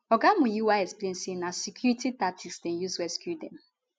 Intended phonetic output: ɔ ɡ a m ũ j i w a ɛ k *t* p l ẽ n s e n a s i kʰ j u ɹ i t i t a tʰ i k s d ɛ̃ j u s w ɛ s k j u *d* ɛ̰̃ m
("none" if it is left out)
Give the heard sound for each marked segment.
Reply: s, d

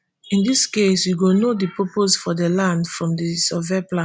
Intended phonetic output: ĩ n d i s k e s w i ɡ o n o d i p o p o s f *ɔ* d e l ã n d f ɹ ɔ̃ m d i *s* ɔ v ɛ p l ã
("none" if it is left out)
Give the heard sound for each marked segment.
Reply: ɔ, s

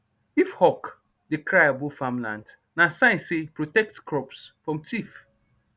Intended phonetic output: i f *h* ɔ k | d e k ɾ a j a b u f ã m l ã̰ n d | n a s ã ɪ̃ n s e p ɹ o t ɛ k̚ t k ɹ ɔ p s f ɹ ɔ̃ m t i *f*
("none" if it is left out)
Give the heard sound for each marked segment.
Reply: h, f

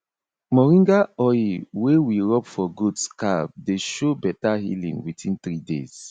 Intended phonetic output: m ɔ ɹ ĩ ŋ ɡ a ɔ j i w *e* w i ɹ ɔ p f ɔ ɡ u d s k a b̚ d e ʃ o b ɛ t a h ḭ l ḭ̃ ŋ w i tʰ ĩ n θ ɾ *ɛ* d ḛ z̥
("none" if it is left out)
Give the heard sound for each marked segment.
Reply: e, i

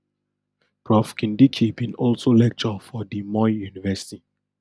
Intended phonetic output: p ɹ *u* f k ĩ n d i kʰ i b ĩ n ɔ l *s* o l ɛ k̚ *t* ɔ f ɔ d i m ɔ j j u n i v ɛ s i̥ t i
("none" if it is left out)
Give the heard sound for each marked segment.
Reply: ɔ, s, t͡ʃ

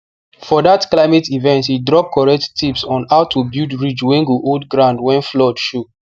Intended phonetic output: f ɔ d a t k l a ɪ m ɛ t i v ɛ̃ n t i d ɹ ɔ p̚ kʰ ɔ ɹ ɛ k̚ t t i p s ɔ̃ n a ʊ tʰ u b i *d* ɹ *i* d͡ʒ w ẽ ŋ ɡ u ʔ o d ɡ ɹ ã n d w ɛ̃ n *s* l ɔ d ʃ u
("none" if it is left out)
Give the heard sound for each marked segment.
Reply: d, i, f

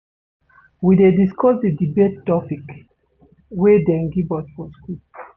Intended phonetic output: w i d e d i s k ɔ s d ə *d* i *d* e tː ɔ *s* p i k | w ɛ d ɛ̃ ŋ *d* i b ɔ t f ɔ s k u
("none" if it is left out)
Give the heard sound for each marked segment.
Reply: d, b, none, ɡ

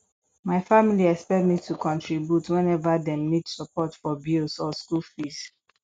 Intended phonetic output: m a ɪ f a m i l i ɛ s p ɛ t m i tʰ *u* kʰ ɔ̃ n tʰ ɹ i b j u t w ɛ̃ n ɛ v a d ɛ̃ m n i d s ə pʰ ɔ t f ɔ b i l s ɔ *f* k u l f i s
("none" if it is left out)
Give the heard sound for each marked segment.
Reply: u, s

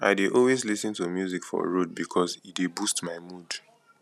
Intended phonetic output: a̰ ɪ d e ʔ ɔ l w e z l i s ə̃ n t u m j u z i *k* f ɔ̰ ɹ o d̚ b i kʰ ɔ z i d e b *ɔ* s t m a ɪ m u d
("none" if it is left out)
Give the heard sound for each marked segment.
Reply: k, u

